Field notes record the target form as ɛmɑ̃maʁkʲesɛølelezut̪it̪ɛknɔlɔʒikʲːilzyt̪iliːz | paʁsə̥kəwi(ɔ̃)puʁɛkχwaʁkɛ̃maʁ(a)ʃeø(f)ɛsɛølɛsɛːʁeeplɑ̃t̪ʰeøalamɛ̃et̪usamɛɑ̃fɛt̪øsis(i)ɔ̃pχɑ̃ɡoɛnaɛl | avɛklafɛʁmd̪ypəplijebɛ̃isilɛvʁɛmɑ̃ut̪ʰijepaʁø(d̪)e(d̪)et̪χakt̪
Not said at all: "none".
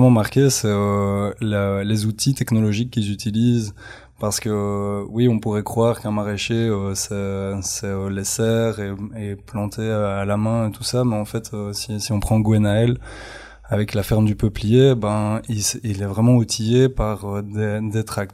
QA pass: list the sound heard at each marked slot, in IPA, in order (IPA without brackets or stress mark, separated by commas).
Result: ɔ̃, e, s, i, d̪, d̪